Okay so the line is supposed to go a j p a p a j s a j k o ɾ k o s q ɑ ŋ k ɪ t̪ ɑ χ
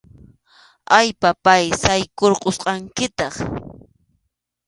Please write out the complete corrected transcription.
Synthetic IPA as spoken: a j p a p a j s a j k o ɾ q o s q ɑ ŋ k ɪ t̪ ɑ χ